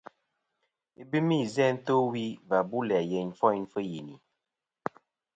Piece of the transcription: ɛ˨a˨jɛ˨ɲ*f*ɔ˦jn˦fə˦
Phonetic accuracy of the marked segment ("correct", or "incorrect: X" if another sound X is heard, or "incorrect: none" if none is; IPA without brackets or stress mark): correct